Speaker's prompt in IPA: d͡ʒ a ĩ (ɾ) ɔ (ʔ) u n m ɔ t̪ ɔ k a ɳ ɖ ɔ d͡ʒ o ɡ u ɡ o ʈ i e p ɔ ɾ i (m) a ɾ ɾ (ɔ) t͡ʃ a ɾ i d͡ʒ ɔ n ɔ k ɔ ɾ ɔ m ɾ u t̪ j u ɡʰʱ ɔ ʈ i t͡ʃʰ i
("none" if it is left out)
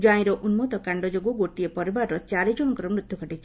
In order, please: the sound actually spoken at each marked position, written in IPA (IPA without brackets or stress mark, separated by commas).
ɾ, ʔ, b, ɔ